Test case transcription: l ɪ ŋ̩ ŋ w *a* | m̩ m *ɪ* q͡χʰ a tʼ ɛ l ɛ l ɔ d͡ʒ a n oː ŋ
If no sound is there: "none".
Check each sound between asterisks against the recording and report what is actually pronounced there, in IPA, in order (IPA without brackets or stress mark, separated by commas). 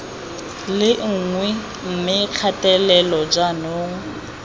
ɛ, ɪ